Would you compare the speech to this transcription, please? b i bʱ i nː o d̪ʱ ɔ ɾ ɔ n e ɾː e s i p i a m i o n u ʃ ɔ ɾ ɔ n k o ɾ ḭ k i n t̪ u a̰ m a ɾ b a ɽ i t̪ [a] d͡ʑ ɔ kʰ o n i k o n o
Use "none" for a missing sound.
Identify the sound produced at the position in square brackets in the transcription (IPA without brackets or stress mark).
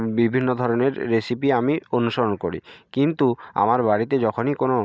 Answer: e